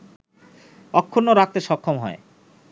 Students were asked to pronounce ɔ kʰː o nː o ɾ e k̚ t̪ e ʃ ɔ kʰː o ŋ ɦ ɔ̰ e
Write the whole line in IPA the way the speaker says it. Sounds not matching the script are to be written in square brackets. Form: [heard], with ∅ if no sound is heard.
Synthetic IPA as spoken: ɔ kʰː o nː o ɾ [a] k̚ t̪ e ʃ ɔ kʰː o [m] ɦ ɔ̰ e